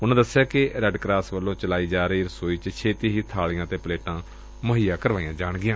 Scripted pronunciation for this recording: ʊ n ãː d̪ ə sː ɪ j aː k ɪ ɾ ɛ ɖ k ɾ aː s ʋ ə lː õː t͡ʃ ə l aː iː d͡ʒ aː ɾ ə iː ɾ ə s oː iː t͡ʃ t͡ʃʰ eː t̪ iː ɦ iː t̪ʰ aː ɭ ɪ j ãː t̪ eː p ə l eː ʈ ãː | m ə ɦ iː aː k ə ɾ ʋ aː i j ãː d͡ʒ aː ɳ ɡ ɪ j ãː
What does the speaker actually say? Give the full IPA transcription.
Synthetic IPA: ʊ n ãː d̪ ə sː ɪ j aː k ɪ ɾ ɛ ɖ k ɾ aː s ʋ ə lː õː t͡ʃ ə l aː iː d͡ʒ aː ɾ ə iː ɾ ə s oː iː t͡ʃ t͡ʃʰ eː t̪ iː ɦ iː t̪ʰ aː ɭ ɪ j ãː t̪ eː p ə l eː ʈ ãː | m ə ɦ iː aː k ə ɾ ʋ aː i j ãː d͡ʒ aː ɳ ɡ ɪ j ãː